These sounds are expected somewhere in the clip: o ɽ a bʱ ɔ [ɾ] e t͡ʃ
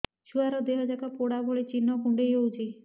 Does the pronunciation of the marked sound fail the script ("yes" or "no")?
yes